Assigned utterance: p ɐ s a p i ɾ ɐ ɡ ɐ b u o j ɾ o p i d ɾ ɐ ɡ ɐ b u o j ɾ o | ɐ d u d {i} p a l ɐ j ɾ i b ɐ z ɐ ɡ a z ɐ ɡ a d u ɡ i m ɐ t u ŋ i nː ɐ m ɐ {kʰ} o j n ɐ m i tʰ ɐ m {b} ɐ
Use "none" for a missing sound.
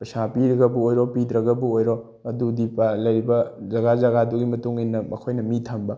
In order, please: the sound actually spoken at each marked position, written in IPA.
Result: i, kʰ, b

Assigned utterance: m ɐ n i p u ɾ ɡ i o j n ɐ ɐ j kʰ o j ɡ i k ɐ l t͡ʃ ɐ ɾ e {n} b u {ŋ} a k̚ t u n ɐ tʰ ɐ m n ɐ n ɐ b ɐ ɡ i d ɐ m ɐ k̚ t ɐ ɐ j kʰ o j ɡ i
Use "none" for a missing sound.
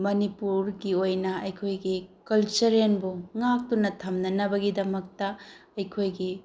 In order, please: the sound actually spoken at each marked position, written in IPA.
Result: n, ŋ

